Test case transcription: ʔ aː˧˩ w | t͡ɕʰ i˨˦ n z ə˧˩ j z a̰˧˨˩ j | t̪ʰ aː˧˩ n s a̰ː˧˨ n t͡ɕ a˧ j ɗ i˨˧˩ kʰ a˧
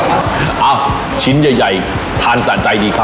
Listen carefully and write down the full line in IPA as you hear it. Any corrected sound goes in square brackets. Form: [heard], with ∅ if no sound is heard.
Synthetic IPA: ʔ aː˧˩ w | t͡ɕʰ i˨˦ n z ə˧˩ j z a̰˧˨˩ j | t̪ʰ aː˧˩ n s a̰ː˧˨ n t͡ɕ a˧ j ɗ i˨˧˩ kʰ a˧